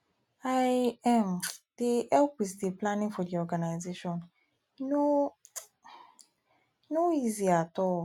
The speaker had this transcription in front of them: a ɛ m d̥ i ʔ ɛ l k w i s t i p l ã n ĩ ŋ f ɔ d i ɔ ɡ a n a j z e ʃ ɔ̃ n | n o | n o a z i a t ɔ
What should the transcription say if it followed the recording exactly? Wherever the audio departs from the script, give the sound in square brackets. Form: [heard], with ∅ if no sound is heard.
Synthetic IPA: a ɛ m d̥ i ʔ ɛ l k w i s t i p l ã n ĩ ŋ f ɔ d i ɔ ɡ a n a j z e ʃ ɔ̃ n | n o | n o [i] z i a t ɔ